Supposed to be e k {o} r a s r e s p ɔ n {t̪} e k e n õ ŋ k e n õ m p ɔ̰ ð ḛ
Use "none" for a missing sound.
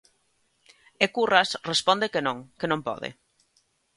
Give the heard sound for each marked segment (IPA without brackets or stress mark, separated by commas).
u, d̪